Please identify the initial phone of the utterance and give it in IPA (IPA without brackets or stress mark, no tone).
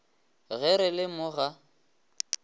ɣ